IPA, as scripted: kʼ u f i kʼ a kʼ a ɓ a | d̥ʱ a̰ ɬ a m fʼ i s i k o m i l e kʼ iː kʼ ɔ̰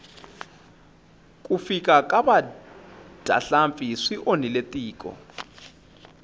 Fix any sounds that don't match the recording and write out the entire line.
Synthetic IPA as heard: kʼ u f i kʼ a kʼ a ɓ a | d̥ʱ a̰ ɬ a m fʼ i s i ʔ o n i l e tʼ iː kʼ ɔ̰

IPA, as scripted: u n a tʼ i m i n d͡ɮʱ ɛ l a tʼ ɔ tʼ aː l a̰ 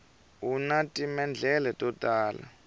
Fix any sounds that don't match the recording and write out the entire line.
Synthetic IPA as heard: u n a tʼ i m ɛ n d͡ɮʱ ɛ l ɛ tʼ ɔ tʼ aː l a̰

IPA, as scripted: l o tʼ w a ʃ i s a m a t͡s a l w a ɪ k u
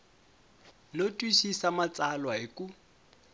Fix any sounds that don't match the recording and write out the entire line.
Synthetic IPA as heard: l o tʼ w i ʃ i s a m a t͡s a l w a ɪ k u

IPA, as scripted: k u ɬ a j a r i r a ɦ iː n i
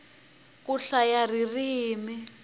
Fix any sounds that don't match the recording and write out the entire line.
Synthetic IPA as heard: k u ɬ a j a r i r i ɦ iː m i

